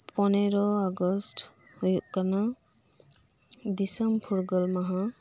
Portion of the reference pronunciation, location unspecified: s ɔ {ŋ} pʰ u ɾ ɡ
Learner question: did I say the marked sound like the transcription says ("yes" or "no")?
no